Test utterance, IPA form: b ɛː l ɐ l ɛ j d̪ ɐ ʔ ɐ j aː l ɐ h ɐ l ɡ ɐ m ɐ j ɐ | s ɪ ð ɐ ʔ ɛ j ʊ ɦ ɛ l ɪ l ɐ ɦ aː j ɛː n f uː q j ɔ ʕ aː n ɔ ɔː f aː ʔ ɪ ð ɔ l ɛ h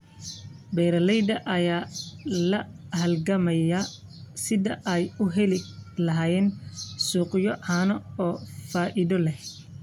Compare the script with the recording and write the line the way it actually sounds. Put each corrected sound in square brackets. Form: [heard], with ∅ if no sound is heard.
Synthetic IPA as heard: b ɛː [ɾ] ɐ l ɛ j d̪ ɐ ʔ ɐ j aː l ɐ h ɐ l ɡ ɐ m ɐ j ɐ | s ɪ ð ɐ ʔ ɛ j ʊ ɦ ɛ l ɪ l ɐ ɦ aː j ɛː n [s] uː q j ɔ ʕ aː n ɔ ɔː f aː ʔ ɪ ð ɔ l ɛ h